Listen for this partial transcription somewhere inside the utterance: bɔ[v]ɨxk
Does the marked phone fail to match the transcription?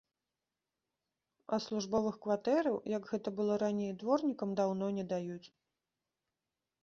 no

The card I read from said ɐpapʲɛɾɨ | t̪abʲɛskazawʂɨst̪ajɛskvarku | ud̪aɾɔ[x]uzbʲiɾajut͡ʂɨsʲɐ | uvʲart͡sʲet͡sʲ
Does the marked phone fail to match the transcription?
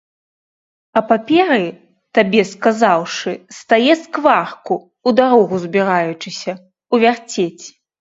yes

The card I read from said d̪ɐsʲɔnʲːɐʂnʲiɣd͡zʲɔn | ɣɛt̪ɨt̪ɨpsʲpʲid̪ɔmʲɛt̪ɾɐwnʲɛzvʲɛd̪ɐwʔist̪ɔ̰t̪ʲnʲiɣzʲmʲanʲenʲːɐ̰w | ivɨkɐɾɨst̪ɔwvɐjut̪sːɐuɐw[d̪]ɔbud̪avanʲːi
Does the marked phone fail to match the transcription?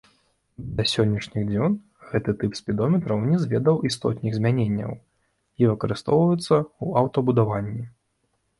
yes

